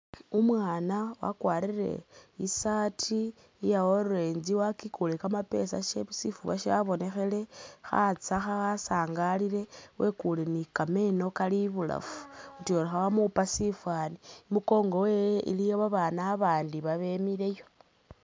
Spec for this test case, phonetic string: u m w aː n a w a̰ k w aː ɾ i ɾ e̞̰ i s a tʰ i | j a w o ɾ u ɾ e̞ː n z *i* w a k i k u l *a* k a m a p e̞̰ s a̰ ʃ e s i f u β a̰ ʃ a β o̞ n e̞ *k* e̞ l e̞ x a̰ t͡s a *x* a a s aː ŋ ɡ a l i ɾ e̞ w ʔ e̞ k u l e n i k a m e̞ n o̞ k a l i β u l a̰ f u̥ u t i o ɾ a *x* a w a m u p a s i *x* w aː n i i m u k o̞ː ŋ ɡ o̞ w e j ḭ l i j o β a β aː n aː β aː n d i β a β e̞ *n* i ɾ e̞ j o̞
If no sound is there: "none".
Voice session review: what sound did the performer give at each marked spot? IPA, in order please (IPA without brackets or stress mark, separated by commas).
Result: i, e, x, x, x, f, m